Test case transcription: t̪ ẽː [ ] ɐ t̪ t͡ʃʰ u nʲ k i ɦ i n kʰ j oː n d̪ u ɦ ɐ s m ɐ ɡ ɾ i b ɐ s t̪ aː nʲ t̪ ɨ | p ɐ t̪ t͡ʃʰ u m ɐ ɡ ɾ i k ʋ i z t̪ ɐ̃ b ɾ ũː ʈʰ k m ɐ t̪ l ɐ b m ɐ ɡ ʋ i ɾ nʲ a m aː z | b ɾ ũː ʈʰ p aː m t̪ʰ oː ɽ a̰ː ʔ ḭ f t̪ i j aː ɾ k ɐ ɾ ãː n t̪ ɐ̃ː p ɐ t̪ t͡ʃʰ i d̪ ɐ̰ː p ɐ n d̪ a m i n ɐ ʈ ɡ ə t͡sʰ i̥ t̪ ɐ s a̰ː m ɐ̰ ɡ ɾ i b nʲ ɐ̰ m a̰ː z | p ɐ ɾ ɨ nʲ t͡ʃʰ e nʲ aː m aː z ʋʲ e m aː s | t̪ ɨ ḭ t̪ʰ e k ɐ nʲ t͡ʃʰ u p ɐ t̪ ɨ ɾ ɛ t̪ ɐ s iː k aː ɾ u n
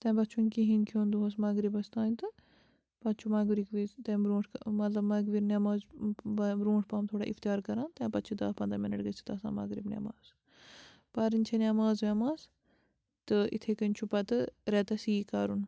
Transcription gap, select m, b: b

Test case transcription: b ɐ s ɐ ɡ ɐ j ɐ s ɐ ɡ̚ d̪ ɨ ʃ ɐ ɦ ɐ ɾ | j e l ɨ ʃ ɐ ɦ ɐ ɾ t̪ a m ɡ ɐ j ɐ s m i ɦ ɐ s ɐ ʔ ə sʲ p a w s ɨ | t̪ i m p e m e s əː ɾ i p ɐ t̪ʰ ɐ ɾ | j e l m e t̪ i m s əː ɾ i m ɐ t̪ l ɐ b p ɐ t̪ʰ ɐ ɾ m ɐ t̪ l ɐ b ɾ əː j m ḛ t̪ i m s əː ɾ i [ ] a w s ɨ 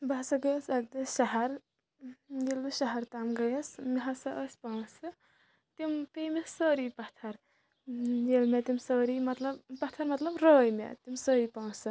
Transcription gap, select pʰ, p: p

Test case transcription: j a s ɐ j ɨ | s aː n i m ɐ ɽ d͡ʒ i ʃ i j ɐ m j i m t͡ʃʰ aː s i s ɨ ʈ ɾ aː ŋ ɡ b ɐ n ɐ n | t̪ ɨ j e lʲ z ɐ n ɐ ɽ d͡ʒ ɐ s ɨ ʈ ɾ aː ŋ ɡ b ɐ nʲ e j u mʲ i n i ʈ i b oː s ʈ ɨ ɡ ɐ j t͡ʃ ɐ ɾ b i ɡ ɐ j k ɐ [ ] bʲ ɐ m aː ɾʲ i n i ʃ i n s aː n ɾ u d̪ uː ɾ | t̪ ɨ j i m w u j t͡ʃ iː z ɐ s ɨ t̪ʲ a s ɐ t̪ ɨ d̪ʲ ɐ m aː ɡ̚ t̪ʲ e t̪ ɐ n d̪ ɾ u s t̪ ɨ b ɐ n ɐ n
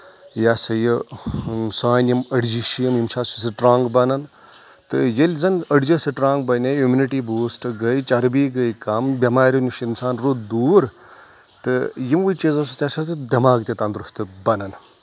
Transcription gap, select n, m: m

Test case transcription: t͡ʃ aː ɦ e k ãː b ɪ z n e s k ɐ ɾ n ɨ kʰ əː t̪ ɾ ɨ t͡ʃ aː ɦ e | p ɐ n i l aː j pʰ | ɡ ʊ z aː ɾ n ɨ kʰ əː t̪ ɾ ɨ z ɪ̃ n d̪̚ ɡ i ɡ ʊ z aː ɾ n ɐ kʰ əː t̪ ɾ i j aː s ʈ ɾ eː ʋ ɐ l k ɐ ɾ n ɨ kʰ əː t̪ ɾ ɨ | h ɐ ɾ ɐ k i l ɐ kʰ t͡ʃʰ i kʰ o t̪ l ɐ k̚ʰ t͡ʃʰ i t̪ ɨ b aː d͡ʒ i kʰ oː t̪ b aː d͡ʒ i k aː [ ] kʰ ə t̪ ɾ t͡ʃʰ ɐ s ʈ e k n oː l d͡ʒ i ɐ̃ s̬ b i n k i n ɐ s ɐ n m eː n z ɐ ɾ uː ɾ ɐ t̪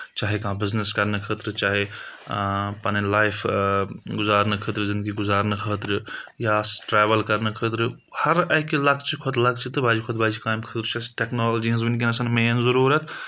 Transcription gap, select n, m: m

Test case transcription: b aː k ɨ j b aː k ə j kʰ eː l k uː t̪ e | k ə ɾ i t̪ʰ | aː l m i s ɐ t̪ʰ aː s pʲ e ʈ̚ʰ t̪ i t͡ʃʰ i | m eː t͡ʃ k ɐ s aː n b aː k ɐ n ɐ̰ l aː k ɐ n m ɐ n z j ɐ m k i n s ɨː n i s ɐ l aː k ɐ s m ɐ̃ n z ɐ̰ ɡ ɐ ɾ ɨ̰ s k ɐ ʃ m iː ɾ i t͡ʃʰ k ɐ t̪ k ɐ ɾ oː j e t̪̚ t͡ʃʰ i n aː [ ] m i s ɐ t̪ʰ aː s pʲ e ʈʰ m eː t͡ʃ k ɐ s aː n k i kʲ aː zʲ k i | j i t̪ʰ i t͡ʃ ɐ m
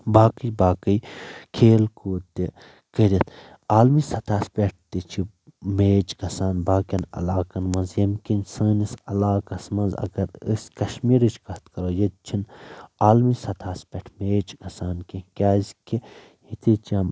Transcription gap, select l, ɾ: l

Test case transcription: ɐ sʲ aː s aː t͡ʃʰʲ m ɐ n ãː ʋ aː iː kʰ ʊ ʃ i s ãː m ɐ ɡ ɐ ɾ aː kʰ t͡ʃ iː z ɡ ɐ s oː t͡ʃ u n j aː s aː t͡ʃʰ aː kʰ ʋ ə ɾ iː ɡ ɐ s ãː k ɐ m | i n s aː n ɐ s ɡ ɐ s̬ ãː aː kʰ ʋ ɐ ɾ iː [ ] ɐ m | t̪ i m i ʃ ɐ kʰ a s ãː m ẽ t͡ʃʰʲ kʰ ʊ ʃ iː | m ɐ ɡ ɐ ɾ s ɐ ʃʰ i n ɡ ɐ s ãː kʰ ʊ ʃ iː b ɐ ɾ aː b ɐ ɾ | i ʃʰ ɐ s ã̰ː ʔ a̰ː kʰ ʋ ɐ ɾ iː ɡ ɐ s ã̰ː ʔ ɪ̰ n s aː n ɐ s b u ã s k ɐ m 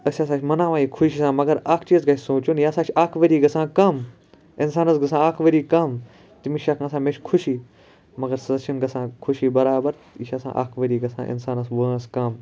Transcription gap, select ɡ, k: k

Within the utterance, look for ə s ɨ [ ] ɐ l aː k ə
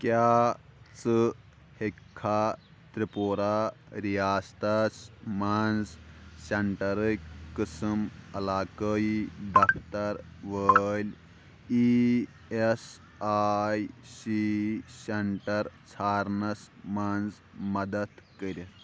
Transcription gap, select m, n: m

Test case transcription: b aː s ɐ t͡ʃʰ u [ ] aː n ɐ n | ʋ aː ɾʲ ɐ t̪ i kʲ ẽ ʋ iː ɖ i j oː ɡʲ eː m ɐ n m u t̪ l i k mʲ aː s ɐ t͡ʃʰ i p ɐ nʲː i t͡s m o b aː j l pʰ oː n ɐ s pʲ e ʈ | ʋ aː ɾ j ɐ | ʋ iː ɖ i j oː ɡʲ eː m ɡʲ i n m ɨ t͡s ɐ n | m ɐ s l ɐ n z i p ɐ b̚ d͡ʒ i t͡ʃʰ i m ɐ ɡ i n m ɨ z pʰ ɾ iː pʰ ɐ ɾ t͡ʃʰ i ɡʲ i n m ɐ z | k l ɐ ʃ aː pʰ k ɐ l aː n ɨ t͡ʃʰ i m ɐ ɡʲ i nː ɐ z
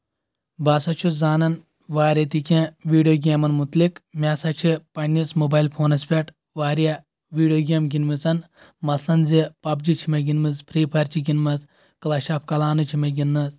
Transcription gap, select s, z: z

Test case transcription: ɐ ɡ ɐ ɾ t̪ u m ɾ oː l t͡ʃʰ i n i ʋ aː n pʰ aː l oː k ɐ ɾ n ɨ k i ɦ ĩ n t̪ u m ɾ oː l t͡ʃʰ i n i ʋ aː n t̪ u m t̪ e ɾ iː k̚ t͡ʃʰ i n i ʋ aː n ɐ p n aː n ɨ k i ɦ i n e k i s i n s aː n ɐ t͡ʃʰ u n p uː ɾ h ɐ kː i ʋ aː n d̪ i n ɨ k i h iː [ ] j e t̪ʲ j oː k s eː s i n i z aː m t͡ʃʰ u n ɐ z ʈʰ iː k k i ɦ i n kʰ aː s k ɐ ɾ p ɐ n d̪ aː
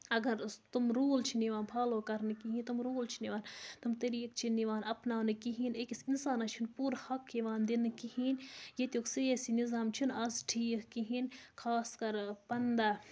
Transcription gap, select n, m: n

